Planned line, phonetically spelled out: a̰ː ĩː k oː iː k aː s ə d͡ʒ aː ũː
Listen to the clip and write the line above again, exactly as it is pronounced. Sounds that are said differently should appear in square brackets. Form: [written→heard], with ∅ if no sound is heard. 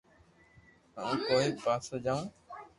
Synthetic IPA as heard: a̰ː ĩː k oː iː [k→p] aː s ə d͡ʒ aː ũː